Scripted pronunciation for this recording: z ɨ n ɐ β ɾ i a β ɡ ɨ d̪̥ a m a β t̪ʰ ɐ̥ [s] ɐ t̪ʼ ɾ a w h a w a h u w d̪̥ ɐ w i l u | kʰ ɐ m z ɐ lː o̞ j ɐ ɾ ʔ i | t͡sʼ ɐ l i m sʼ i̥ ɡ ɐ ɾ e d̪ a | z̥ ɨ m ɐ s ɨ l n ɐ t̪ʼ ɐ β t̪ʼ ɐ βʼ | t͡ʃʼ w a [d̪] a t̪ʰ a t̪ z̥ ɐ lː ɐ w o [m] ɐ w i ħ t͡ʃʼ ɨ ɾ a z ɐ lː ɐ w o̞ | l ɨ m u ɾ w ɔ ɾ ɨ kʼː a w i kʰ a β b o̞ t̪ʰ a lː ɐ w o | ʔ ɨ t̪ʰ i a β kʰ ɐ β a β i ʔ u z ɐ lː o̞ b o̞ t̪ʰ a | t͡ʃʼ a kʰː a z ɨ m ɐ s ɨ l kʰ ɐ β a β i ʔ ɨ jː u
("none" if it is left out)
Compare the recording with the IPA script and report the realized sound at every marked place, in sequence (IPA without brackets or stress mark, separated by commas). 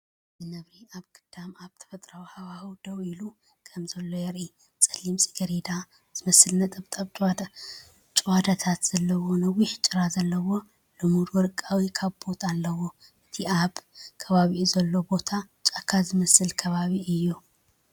f, d̪, n